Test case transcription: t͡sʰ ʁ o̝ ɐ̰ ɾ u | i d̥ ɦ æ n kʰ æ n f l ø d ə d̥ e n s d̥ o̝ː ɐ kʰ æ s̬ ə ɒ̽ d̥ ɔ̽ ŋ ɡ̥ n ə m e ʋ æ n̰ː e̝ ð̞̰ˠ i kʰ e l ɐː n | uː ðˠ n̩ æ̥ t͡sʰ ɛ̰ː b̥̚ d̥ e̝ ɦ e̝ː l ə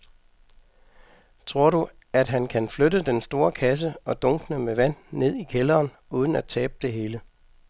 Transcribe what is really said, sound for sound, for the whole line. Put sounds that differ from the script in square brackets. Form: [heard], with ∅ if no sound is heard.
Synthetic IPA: t͡sʰ ʁ o̝ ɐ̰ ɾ u | [æ] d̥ ɦ æ n kʰ æ n f l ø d ə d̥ e n s d̥ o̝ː ɐ kʰ æ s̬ ə ɒ̽ d̥ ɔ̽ ŋ ɡ̥ n ə m e ʋ æ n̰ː e̝ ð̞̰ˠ i kʰ e l ɐː n | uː ðˠ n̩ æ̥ t͡sʰ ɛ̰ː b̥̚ d̥ e̝ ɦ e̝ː l ə